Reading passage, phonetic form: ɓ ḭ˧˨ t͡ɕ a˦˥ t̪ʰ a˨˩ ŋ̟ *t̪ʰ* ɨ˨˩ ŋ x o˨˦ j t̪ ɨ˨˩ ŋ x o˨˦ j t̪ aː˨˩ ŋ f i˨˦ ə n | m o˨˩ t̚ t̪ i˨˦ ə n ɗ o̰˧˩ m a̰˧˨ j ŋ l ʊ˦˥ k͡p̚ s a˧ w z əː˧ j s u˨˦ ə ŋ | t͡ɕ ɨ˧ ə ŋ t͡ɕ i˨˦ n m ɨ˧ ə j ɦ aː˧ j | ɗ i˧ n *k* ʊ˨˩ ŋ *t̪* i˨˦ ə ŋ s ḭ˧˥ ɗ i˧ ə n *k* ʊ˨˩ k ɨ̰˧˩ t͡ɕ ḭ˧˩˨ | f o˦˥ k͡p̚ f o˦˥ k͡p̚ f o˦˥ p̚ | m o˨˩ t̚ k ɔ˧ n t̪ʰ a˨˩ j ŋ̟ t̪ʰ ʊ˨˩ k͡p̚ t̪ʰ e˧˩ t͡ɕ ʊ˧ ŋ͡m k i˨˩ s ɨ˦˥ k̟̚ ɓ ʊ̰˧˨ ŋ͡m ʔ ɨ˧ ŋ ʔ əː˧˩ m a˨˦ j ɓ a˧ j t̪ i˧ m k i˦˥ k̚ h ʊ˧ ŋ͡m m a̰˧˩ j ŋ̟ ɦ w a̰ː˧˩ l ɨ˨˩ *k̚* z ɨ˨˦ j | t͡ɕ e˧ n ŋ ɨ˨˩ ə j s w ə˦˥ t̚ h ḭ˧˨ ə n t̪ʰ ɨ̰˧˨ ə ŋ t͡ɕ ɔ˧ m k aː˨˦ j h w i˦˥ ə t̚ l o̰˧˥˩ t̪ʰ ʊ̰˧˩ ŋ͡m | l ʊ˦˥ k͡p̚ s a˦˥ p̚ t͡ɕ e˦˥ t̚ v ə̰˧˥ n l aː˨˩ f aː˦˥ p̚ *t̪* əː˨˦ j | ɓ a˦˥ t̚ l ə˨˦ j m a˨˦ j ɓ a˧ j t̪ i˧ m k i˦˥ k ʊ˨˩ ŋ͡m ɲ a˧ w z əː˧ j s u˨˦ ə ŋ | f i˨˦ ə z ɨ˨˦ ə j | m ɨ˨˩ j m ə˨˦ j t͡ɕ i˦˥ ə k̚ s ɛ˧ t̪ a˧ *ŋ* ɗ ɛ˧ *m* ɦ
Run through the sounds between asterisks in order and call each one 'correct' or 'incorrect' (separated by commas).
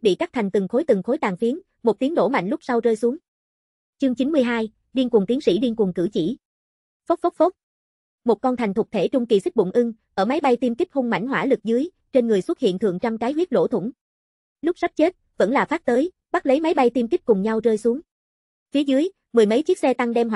incorrect, correct, correct, correct, correct, correct, correct, correct